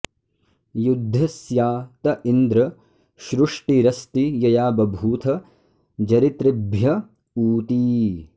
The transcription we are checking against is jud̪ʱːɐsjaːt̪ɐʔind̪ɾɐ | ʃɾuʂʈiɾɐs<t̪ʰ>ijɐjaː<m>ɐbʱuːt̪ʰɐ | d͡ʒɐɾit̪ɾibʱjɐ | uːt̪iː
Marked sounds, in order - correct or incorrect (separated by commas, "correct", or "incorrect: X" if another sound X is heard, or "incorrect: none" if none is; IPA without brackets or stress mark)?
incorrect: t̪, incorrect: b